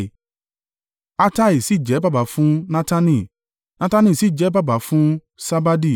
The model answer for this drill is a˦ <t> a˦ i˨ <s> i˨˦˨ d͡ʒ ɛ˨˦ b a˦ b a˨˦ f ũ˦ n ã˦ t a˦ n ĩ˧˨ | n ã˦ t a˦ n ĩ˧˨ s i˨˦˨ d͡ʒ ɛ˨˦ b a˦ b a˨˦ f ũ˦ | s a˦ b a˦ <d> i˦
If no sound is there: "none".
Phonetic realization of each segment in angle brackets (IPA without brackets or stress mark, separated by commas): t, s, d